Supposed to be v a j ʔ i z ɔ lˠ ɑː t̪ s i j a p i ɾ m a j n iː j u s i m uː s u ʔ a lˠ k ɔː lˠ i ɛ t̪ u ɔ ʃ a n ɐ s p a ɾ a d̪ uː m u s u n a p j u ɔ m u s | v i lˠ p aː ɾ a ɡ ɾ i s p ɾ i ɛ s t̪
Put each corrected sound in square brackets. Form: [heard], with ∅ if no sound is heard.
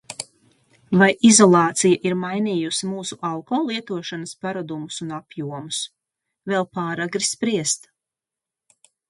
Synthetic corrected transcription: v a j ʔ i z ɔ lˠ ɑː t̪ s i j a [ʔ] i ɾ m a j n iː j u s i m uː s u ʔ a lˠ k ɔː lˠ i ɛ t̪ u ɔ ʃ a n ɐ s p a ɾ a d̪ [u] m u s u n a p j u ɔ m u s | v [ɛ] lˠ p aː ɾ a ɡ ɾ i s p ɾ i ɛ s t̪